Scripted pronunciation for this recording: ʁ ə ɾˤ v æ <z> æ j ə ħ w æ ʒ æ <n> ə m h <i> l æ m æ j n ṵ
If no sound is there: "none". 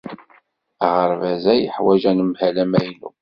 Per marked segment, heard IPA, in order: z, n, æ

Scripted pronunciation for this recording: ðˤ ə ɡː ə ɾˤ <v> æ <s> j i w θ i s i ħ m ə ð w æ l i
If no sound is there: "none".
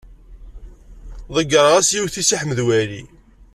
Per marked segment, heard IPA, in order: ʁ, s

